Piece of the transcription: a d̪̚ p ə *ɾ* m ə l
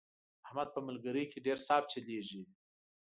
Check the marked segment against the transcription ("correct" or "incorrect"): incorrect